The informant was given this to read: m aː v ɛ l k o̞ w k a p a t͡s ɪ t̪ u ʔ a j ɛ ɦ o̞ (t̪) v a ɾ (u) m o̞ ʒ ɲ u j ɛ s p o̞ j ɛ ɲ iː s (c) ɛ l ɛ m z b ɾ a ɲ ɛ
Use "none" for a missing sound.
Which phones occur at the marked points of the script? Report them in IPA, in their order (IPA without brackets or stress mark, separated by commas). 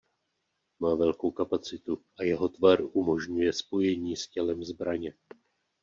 t̪, u, c